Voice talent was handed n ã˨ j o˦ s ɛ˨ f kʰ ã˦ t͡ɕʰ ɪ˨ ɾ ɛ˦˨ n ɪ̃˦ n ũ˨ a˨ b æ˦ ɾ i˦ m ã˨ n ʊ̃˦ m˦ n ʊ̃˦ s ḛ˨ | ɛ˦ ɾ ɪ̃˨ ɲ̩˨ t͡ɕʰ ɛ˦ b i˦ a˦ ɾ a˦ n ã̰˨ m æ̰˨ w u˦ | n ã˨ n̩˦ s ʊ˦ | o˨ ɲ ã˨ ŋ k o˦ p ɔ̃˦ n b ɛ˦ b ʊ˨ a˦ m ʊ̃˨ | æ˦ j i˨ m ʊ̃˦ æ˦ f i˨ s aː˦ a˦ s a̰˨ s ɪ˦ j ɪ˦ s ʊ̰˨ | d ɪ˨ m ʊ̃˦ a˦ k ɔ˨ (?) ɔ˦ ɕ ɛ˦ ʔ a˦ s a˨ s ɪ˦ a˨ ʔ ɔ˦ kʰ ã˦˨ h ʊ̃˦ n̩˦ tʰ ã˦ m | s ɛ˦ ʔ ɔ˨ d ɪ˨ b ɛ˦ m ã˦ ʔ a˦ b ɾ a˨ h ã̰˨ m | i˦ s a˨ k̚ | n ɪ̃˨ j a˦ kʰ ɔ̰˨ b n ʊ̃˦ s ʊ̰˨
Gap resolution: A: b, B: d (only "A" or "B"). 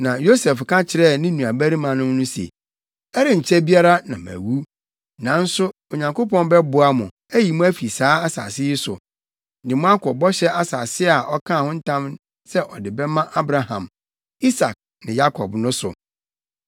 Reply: A